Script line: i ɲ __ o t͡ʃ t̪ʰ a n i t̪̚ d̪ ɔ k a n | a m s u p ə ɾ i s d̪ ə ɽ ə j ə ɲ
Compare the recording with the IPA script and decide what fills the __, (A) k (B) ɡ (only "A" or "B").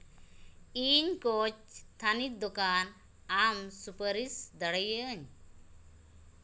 A